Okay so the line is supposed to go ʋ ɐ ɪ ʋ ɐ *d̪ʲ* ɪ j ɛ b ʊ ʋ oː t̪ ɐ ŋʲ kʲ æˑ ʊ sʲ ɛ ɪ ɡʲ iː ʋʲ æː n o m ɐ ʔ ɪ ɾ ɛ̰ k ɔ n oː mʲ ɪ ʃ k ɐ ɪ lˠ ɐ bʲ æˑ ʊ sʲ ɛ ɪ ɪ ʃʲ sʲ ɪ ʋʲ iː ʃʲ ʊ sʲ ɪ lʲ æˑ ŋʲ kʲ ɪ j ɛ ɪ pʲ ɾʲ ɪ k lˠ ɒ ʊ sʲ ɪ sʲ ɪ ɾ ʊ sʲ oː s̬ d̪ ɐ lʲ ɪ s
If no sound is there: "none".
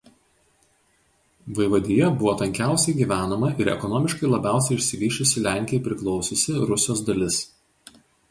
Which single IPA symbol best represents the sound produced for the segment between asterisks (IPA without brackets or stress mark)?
d̪ʲ